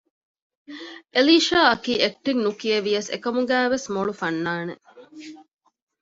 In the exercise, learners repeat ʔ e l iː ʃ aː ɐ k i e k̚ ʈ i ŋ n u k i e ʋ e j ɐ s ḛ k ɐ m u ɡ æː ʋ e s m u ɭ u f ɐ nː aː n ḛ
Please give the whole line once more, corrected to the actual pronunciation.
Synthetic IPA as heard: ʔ e l iː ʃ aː ɐ k iː e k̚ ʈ i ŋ n u k i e ʋ i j ɐ s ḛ k ɐ m u ɡ æː ʋ e s m o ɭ u f ɐ nː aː n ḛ